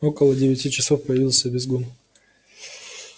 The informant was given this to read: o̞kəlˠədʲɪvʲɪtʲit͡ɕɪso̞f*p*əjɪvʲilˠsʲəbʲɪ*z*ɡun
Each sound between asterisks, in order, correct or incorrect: correct, correct

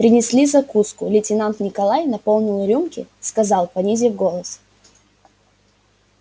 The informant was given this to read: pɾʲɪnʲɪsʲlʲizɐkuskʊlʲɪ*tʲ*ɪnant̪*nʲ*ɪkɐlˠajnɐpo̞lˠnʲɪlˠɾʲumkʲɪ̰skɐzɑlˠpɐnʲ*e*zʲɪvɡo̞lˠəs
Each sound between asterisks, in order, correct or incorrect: correct, correct, incorrect: i

